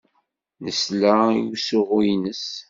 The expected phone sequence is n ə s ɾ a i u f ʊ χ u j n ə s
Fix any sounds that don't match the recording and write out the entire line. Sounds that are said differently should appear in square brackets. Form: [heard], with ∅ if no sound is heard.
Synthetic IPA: n ə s [l] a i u [s] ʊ [ʁ] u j n ə s